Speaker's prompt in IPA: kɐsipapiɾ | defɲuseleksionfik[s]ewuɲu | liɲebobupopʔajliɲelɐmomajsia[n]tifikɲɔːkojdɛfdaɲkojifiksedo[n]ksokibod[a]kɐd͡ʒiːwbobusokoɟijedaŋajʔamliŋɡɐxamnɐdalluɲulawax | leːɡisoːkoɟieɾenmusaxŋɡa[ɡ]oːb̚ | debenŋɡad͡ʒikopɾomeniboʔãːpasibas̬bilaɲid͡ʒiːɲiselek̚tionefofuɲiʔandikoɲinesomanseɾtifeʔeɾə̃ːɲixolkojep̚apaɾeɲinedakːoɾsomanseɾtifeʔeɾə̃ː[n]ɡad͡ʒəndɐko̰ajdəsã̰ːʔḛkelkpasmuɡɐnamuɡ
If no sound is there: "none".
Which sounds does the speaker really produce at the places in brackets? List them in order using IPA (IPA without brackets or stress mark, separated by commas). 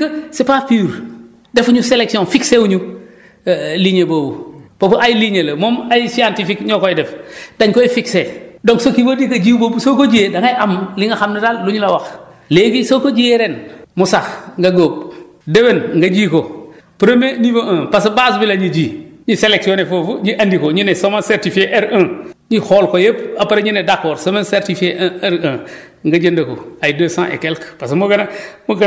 s, n, ŋ, i, ɡ, ŋ